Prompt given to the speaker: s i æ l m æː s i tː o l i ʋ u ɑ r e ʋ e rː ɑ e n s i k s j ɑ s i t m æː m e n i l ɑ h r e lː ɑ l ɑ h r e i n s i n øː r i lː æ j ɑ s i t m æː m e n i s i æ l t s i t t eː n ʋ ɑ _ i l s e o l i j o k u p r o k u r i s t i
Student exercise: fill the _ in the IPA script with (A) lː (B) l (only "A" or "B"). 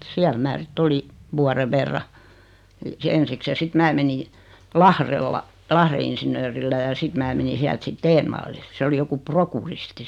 A